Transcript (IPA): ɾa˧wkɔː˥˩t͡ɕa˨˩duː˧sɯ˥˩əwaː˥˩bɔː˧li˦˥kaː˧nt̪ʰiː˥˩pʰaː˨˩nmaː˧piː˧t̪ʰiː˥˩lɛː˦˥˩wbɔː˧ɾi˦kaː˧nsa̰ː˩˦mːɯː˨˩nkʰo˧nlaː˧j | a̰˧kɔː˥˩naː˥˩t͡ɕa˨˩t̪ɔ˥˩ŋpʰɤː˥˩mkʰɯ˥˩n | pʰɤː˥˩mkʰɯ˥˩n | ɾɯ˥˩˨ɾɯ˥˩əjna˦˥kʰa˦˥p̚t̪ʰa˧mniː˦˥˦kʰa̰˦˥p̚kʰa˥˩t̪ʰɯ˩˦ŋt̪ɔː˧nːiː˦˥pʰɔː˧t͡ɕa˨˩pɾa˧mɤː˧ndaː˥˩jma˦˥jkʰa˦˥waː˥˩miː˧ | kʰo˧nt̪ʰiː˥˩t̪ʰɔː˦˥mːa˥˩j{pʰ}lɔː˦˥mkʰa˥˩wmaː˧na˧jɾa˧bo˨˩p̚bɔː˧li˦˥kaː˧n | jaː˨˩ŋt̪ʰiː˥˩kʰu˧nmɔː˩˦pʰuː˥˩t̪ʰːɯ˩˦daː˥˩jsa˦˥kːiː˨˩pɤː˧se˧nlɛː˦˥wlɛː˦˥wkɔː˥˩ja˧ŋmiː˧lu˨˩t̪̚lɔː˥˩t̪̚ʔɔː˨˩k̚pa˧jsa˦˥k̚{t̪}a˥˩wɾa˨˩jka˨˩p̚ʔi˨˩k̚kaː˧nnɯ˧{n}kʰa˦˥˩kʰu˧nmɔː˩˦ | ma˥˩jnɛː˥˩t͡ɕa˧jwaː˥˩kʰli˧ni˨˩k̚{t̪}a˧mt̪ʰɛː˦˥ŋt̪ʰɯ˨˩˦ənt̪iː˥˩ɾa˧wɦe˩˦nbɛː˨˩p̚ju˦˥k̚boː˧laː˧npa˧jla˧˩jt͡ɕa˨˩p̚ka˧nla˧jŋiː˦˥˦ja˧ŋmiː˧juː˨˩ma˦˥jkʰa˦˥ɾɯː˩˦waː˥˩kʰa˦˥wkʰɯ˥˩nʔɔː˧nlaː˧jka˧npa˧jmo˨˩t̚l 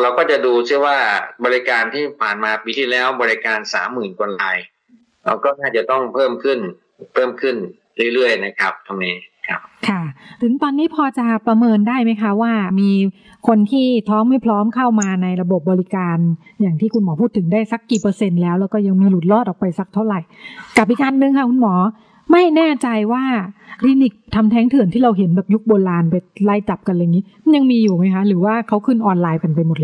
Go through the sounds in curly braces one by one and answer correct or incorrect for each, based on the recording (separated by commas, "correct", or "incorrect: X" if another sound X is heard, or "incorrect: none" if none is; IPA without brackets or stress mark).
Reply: correct, incorrect: t̪ʰ, incorrect: ŋ, incorrect: t̪ʰ